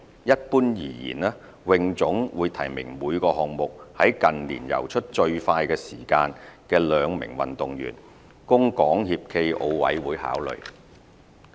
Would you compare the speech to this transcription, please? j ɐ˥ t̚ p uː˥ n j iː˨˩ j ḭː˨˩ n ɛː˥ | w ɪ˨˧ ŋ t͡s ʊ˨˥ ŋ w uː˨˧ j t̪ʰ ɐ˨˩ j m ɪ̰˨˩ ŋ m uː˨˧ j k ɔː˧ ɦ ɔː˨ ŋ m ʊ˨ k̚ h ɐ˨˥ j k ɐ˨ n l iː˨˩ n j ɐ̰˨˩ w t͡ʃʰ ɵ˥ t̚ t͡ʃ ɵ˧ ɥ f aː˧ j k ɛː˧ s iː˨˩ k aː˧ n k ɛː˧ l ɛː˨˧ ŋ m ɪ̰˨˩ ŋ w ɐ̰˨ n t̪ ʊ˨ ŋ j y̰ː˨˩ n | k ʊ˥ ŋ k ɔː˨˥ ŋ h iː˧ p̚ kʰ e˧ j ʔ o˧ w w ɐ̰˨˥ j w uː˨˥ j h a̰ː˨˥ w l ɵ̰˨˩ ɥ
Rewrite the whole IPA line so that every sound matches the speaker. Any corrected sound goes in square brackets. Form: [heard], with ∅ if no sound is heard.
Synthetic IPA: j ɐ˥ t̚ p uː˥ n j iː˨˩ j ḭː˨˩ n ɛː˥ | w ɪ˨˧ ŋ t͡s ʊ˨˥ ŋ w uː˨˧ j t̪ʰ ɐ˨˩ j m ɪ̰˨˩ ŋ m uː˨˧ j k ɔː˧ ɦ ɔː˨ ŋ m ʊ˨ k̚ h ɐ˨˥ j k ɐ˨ n l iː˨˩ n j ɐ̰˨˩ w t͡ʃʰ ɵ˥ t̚ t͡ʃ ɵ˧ ɥ f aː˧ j k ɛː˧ s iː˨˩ k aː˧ n k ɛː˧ l [œː˨˧] ŋ m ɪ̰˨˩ ŋ w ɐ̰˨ n t̪ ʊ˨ ŋ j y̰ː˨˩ n | k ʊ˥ ŋ k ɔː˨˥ ŋ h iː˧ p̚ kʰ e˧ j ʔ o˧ w w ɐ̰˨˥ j w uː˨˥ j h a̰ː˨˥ w l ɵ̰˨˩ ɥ

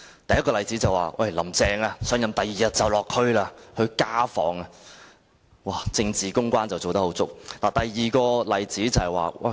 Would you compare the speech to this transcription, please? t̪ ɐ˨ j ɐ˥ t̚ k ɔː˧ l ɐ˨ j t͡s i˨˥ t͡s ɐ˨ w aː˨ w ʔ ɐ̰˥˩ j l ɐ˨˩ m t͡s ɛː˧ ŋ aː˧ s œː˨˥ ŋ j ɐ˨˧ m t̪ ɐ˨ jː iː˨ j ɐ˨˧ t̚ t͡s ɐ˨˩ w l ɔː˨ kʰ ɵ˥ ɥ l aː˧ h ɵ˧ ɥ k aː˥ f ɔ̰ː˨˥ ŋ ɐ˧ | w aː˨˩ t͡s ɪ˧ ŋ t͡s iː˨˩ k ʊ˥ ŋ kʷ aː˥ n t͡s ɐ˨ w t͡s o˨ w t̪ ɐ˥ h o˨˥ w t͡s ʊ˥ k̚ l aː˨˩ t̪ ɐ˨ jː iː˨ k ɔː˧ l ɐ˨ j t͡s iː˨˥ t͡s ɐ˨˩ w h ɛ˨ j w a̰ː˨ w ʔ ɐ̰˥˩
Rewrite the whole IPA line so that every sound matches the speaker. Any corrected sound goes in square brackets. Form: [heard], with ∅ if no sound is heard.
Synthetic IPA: t̪ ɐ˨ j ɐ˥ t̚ k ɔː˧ l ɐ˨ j t͡s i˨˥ t͡s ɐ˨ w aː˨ w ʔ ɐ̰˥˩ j l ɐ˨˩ m t͡s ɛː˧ ŋ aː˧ s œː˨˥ ŋ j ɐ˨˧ m t̪ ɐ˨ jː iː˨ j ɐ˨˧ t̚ t͡s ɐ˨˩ w l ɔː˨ kʰ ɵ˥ ɥ l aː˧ h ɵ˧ ɥ k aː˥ f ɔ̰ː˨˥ ŋ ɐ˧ | w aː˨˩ t͡s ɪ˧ ŋ t͡s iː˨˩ k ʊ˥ ŋ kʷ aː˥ n t͡s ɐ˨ w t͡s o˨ w t̪ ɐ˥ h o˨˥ w t͡s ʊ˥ k̚ l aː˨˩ t̪ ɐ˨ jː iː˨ k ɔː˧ l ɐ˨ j t͡s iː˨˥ t͡s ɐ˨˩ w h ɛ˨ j w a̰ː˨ w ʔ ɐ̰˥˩

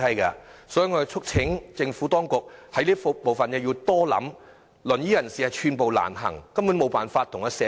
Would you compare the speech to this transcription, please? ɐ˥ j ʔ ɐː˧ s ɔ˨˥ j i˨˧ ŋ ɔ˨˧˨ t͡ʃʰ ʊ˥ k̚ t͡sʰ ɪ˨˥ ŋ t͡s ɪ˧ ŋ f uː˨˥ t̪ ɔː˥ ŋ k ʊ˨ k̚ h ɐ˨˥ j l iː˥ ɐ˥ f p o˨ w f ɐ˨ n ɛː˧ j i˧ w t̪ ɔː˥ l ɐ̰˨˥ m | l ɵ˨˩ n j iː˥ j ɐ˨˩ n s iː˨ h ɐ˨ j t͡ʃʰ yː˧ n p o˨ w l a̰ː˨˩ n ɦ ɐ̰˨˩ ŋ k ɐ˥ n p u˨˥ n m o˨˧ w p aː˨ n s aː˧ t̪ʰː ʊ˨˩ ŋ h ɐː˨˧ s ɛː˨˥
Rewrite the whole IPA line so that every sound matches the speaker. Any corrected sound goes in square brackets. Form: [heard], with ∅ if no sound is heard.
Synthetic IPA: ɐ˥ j [k] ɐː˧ s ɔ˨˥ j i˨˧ ŋ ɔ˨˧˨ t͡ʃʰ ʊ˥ k̚ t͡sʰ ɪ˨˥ ŋ t͡s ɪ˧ ŋ f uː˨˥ t̪ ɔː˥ ŋ k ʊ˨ k̚ h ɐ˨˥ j l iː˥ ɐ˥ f p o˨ w f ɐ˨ n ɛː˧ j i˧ w t̪ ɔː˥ l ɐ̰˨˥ m | l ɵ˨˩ n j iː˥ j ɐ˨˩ n s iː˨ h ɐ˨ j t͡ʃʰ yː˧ n p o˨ w l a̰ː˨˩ n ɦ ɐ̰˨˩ ŋ k ɐ˥ [m] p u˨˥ n m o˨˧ w p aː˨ n [f] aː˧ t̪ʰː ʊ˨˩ ŋ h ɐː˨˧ s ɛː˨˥

